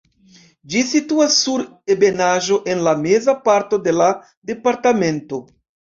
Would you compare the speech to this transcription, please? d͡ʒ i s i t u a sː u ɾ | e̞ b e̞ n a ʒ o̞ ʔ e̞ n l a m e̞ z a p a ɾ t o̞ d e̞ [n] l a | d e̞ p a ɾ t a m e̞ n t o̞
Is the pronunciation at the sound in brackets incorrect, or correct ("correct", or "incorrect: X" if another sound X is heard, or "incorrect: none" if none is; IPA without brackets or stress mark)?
incorrect: none